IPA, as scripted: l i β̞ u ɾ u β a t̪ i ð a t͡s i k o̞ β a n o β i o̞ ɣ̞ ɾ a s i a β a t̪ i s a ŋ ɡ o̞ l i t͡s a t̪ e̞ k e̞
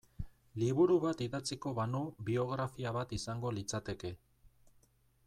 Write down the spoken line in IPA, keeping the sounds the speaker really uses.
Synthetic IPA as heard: l i β̞ u ɾ u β a t̪ i ð a t͡s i k o̞ β a n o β i o̞ ɣ̞ ɾ a f i a β a t̪ i s a ŋ ɡ o̞ l i t͡s a t̪ e̞ k e̞